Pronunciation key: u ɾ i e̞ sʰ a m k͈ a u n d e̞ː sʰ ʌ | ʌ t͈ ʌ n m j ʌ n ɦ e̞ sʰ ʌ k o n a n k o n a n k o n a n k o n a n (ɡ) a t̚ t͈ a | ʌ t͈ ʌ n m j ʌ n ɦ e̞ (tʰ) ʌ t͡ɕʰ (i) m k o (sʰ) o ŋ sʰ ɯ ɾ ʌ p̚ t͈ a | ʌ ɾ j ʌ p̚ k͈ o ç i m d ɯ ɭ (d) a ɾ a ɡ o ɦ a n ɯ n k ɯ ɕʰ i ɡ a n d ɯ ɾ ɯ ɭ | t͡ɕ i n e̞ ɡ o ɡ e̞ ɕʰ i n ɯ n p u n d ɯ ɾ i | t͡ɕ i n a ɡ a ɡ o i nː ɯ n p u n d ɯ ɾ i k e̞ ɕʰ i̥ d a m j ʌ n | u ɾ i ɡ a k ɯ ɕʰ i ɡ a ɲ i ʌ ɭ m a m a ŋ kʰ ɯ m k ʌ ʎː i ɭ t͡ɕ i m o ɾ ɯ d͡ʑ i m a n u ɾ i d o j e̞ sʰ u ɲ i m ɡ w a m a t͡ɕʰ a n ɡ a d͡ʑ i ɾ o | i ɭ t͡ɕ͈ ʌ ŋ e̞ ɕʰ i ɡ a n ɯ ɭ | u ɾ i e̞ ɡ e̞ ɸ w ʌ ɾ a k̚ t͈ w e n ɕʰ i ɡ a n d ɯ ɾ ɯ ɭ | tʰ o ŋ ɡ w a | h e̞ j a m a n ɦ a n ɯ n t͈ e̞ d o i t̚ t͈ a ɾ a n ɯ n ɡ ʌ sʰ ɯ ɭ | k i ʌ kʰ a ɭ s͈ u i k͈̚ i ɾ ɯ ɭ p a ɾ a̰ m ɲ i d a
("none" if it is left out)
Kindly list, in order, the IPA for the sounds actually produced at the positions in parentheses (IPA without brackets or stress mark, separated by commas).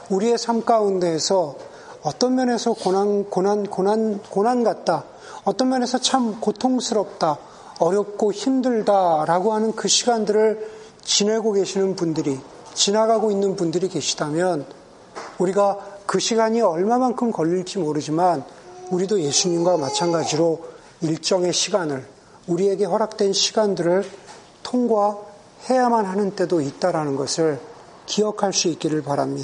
ɡ, sʰ, a, tʰ, d